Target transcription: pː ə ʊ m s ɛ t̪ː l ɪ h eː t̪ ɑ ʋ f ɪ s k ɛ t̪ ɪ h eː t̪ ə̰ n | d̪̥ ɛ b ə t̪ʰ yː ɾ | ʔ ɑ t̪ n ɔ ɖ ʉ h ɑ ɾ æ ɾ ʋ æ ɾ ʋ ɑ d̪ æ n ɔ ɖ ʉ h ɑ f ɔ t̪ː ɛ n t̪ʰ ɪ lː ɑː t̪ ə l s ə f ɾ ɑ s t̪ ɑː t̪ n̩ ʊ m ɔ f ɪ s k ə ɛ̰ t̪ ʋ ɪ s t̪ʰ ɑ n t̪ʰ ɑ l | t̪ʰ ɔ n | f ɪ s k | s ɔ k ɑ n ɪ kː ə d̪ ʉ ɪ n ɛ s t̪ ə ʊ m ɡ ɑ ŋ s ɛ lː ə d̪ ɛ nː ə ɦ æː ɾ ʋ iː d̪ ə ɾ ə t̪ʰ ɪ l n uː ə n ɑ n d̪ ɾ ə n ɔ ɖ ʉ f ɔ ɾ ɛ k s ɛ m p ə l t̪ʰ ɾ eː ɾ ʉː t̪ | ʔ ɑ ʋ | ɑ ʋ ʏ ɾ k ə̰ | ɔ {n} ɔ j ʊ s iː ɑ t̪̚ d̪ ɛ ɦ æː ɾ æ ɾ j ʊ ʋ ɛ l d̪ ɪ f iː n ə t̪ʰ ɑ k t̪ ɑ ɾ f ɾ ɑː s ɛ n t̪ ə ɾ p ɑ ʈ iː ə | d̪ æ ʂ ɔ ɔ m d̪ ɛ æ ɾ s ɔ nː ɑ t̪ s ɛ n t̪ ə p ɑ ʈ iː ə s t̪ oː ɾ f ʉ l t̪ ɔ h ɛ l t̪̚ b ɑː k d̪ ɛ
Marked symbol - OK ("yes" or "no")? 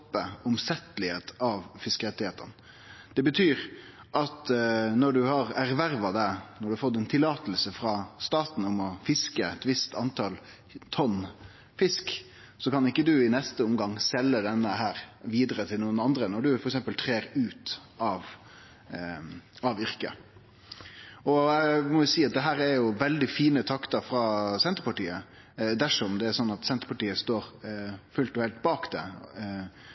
no